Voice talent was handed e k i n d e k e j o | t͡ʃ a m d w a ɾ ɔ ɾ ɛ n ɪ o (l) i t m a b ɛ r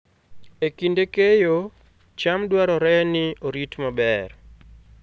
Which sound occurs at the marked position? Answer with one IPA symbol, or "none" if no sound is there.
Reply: ɾ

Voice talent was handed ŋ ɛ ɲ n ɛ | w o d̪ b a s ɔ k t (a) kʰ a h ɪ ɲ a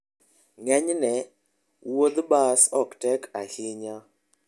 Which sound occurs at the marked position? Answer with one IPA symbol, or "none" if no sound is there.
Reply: ɛ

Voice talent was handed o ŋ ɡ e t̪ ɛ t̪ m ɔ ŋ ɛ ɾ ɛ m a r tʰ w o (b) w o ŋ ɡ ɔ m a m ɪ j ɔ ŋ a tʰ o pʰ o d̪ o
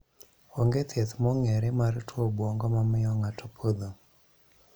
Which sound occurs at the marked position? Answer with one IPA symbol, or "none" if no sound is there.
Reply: b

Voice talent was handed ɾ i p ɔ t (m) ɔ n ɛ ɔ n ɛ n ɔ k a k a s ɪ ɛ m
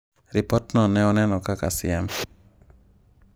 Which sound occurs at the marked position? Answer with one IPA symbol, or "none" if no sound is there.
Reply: n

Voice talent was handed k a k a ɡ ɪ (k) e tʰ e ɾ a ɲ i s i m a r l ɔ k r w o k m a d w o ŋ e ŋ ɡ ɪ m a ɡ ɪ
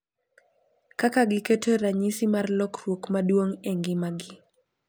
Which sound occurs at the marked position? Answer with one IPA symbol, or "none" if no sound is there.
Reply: k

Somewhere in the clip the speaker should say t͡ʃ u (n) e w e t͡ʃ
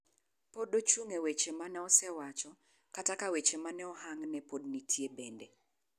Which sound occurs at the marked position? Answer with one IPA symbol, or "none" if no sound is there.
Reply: ŋ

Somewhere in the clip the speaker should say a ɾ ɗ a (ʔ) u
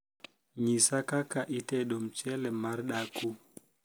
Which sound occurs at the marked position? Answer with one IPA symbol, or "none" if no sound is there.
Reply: k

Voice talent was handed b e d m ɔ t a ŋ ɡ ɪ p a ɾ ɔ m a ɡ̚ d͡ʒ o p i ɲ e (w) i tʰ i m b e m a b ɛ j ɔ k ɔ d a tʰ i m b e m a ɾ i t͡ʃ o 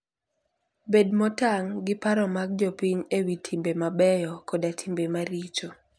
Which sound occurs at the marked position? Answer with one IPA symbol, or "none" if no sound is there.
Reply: w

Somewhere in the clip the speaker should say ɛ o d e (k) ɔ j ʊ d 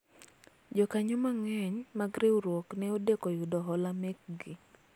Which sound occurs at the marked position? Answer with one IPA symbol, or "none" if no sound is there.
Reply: k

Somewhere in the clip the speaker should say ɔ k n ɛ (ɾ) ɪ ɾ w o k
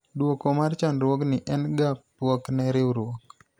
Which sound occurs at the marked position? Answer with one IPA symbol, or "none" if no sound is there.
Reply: ɾ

